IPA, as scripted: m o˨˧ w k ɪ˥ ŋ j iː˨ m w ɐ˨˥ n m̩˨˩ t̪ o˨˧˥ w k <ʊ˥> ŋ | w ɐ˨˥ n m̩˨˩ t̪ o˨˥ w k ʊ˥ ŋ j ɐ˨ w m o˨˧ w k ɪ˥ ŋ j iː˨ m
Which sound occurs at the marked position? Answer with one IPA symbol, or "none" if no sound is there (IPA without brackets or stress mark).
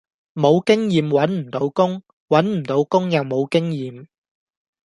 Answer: ʊ˥